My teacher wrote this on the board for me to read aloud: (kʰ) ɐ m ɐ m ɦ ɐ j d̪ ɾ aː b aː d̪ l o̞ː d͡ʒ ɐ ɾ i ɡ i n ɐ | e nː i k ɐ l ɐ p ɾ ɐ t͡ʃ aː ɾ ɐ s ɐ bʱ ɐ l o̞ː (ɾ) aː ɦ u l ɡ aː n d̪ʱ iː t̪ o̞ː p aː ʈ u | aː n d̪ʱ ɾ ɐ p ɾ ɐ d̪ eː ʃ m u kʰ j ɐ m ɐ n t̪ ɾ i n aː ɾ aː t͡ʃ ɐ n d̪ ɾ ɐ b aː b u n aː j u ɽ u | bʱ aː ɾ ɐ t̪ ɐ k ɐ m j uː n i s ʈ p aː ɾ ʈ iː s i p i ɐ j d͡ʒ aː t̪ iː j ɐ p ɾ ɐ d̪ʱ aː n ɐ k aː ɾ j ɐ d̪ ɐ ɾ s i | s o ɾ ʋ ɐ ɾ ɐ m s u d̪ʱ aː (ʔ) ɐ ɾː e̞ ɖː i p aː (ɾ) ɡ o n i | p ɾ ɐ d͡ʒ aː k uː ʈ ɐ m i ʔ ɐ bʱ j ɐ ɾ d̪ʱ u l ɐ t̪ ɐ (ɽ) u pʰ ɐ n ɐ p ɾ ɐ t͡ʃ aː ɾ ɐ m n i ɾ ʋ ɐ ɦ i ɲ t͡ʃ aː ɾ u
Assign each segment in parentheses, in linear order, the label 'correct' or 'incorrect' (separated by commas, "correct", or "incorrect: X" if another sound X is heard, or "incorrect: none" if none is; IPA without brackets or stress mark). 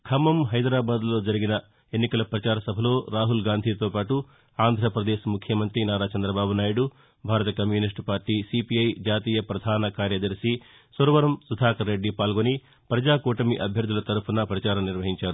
correct, correct, incorrect: k, incorrect: l, incorrect: ɾ